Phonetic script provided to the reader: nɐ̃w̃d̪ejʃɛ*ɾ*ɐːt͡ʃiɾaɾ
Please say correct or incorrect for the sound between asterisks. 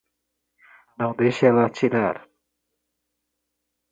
incorrect